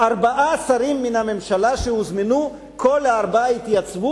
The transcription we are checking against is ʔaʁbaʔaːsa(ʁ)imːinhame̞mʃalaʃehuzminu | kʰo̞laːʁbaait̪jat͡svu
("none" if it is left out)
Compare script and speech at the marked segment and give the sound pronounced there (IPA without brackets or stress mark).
ʁ